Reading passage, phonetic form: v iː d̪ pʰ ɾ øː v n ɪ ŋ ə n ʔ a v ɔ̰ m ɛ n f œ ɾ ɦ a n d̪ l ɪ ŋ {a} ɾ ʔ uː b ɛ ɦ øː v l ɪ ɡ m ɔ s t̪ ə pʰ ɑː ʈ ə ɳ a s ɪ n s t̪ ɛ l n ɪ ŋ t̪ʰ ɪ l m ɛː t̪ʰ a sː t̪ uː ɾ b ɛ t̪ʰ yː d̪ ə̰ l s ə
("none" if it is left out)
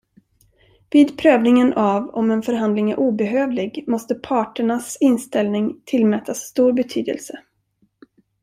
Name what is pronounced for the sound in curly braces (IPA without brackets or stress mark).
æ